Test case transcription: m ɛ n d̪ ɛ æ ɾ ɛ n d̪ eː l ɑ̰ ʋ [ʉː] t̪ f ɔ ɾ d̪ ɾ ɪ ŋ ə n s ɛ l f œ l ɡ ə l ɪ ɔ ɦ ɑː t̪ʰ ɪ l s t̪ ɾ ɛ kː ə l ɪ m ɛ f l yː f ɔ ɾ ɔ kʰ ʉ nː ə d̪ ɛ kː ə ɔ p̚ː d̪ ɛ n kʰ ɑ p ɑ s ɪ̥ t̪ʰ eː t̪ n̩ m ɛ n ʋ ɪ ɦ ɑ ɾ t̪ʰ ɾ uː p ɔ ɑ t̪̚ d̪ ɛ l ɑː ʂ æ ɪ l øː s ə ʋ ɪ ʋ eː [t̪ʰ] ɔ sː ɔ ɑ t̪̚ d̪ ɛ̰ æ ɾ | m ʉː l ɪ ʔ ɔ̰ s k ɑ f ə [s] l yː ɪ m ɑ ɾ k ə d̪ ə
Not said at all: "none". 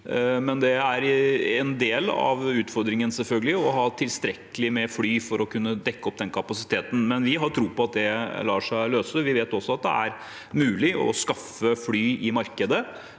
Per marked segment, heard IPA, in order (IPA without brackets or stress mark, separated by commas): ʉː, t̪, f